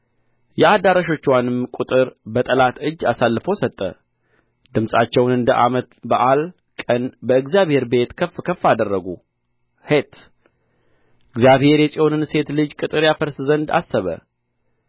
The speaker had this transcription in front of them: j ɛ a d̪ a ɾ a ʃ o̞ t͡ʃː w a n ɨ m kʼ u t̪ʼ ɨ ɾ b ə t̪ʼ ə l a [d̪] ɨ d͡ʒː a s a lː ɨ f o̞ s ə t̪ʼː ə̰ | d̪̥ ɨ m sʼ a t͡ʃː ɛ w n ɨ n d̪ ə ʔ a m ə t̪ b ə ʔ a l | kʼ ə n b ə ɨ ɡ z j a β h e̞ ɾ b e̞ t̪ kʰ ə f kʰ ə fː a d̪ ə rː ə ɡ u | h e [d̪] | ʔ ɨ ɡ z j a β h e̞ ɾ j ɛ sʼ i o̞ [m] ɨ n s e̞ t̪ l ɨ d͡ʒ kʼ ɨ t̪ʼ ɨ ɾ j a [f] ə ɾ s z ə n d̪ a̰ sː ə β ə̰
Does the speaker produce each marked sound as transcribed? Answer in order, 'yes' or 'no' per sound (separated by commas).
no, no, no, yes